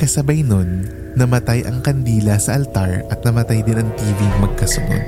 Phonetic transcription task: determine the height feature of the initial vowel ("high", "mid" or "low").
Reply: low